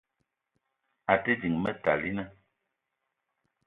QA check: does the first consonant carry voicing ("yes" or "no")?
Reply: no